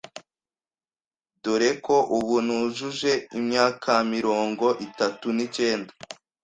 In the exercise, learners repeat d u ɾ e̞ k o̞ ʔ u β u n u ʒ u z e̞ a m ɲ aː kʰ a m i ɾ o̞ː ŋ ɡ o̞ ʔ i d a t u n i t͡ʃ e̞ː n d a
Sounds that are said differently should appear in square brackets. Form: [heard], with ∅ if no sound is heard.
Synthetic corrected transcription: d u ɾ e̞ k o̞ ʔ u β u n u ʒ u [ʒ] e̞ [i] m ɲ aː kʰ a m i ɾ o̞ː ŋ ɡ o̞ ʔ i [t] a t u n i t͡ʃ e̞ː n d a